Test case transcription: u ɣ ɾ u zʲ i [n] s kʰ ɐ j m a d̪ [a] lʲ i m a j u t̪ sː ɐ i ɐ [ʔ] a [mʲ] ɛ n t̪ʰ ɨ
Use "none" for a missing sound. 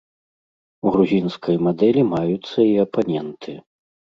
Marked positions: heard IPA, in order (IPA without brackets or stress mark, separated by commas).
n, ɛ, p, nʲ